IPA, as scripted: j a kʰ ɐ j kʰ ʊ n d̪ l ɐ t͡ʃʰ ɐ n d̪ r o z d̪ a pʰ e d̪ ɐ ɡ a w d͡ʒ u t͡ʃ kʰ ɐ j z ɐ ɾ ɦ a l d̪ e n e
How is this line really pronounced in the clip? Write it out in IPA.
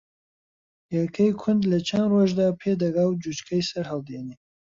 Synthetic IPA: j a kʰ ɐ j kʰ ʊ n d̪ l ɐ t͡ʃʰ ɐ n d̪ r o ʒ d̪ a pʰ e d̪ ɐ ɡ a w d͡ʒ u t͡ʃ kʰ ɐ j s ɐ ɾ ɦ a l d̪ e n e